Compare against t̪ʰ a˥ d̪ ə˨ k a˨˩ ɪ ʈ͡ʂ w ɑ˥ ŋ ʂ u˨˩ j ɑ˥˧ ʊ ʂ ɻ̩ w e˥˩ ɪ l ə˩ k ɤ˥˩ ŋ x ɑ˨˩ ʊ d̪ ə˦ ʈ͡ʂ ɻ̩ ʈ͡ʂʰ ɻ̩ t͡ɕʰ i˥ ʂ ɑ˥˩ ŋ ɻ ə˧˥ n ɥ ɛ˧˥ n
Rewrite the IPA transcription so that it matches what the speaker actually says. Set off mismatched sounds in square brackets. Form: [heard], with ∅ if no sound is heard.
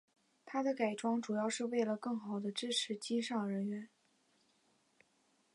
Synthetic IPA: t̪ʰ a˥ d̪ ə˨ k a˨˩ ɪ ʈ͡ʂ w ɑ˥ ŋ [ʈ͡ʂ] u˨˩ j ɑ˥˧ ʊ ʂ ɻ̩ w e˥˩ ɪ l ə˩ k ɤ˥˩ ŋ x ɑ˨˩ ʊ d̪ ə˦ ʈ͡ʂ ɻ̩ ʈ͡ʂʰ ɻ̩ [t͡ɕ] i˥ ʂ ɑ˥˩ ŋ ɻ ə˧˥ n ɥ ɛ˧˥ n